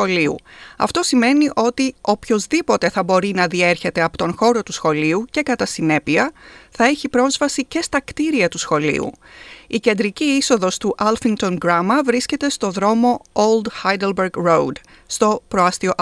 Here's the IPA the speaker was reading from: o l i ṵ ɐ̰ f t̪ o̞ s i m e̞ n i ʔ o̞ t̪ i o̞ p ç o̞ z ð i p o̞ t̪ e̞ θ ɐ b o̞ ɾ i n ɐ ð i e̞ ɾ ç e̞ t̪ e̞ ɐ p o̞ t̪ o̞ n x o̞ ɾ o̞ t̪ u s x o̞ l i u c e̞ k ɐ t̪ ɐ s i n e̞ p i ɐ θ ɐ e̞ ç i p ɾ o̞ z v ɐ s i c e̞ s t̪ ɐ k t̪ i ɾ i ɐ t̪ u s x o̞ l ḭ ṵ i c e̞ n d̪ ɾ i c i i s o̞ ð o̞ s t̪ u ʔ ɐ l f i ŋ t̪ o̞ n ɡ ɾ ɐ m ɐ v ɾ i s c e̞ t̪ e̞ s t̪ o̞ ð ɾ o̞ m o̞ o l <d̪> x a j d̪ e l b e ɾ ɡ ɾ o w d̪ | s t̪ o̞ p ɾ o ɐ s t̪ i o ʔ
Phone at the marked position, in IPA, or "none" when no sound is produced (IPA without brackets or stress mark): d̪